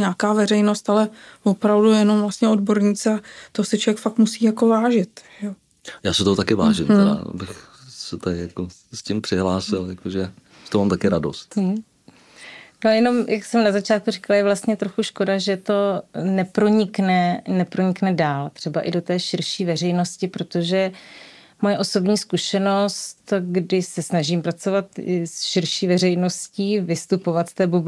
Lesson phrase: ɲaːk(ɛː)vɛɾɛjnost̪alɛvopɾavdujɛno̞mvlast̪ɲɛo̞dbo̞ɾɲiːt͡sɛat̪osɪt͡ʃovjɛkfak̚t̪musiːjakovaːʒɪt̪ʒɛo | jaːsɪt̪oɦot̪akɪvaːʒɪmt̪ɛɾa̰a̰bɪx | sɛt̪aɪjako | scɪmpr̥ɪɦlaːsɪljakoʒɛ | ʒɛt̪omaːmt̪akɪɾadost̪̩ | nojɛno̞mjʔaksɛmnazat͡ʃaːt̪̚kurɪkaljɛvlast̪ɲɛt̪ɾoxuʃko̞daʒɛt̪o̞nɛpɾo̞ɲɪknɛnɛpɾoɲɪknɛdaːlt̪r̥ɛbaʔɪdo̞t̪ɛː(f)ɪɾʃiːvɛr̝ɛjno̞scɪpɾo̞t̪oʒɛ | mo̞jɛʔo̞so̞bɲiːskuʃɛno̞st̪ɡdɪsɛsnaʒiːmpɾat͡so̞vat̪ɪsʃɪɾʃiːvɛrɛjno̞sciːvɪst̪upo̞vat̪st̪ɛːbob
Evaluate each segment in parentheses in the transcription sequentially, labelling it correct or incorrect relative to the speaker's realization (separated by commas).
incorrect, incorrect